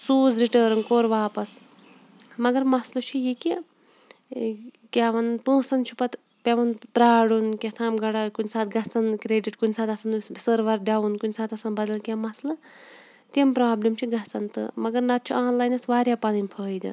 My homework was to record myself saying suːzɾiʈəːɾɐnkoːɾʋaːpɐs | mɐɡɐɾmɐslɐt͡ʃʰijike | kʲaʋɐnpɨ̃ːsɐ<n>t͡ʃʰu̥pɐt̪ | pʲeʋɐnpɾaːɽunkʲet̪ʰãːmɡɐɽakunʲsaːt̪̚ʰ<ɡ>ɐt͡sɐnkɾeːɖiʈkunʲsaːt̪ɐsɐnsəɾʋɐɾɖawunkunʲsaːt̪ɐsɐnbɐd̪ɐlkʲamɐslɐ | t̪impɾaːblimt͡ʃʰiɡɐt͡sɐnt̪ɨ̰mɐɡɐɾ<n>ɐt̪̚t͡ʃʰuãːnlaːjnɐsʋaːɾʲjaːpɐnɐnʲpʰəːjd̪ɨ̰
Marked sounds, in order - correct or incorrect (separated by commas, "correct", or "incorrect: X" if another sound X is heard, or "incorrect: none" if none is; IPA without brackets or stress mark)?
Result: correct, correct, correct